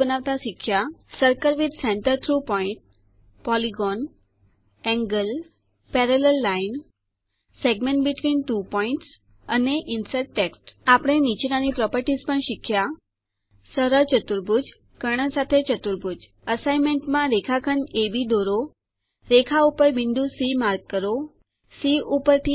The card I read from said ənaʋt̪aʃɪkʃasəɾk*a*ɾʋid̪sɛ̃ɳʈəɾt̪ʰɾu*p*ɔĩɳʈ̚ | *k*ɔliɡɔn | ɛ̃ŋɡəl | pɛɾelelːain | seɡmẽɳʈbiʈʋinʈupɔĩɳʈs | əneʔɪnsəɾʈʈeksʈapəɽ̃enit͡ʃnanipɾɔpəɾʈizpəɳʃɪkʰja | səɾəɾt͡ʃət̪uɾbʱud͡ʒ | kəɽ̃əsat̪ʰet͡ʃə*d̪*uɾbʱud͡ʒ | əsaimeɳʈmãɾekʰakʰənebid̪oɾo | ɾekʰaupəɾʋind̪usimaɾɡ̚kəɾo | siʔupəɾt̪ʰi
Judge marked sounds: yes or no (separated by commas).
no, yes, no, no